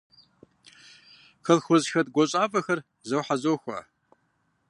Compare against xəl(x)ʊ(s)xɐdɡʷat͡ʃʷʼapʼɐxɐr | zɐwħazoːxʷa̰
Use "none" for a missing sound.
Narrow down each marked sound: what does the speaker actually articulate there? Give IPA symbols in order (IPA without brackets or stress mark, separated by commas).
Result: x, z